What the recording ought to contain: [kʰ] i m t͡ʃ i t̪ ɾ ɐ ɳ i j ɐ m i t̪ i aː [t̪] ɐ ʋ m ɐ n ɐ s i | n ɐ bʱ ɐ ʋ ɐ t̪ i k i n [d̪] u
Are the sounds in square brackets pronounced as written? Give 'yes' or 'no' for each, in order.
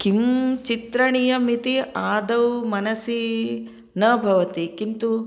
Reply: no, no, no

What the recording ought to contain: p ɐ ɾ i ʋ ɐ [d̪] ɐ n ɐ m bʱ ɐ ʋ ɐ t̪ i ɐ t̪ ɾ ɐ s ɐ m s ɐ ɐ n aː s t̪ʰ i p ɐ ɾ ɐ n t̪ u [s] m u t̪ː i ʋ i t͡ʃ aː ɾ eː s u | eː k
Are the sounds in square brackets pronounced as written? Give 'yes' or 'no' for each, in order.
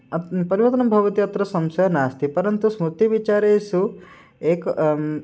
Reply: no, yes

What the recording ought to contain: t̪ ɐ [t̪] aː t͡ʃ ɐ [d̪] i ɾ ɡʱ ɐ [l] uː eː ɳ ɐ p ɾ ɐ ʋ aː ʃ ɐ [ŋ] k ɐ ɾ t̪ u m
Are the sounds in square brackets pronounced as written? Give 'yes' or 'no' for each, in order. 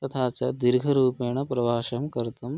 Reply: no, yes, no, no

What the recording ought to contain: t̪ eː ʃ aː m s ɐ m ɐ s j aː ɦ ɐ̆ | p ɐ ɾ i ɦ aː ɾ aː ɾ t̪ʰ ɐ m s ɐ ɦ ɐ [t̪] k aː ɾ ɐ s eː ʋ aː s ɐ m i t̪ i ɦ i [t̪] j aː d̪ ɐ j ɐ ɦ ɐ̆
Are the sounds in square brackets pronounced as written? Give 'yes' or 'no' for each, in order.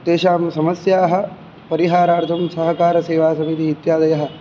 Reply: no, yes

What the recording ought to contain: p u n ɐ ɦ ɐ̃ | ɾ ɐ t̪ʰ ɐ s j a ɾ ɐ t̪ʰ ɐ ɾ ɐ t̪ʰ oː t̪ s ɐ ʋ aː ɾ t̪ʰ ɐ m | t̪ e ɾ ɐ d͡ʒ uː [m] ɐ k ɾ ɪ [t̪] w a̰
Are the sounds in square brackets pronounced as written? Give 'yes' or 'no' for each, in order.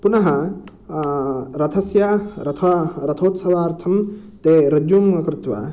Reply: yes, yes

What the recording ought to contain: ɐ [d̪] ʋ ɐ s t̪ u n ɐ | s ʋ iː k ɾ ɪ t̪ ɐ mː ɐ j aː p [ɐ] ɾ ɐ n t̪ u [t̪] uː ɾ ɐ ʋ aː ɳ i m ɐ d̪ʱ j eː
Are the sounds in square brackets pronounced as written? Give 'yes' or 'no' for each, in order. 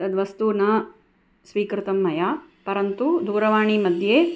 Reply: yes, yes, no

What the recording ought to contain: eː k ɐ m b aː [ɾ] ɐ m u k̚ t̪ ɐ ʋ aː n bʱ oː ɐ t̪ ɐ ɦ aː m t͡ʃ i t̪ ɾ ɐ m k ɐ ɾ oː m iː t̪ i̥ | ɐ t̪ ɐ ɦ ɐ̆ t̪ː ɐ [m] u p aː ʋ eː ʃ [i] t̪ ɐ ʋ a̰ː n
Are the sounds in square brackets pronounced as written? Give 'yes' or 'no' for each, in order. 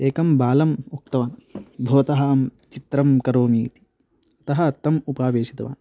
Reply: no, yes, yes

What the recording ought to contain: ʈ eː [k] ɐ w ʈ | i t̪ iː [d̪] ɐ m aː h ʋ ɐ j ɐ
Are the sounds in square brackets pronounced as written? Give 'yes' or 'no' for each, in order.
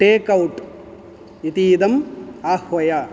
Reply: yes, yes

